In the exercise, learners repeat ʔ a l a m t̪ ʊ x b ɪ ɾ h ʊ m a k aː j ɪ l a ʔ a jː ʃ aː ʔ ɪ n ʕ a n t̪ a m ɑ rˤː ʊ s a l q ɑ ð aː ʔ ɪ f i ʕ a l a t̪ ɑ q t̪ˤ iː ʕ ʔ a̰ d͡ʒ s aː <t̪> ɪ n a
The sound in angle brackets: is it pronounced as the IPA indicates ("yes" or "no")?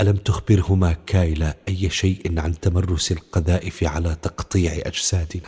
no